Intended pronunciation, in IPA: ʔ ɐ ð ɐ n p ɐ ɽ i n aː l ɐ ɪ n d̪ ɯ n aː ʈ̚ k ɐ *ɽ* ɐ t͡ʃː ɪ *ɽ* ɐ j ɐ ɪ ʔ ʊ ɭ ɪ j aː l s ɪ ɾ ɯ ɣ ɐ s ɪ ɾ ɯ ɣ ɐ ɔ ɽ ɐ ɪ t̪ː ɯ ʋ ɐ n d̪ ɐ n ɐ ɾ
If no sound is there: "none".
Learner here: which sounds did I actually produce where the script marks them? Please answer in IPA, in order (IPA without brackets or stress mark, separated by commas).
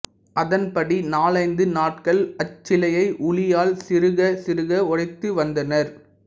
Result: ɭ, l